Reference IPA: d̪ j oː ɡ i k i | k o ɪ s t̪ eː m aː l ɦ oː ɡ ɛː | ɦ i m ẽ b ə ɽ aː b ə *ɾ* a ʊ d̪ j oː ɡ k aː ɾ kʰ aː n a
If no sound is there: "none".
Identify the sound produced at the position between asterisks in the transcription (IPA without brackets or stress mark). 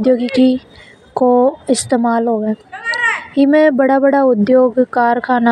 ɽ